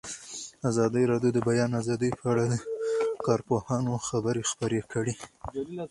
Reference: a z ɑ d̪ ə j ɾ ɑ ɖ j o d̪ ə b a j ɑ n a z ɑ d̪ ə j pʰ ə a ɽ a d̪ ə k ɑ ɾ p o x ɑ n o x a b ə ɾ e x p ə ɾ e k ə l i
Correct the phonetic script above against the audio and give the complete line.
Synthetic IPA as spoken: a z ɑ d̪ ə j ɾ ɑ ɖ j o d̪ ə b a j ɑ n a z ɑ d̪ ə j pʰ ə a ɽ a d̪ ə k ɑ ɾ p o h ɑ n o x a b ə ɾ e x p ə ɾ e k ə ɽ i